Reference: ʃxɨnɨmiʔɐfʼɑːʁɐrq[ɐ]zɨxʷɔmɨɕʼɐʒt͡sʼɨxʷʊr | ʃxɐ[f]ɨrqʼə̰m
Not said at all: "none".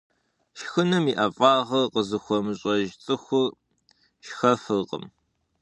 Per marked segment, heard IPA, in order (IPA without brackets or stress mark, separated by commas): ə, f